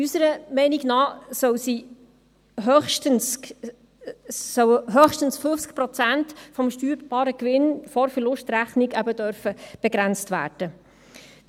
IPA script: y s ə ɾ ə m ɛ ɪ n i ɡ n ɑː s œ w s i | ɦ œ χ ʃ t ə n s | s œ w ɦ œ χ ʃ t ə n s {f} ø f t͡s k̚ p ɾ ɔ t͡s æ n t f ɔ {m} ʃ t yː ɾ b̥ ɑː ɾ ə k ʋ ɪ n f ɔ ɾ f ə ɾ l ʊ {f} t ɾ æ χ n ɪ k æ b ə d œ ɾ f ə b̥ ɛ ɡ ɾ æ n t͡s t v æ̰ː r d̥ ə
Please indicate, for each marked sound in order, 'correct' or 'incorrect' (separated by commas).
correct, correct, incorrect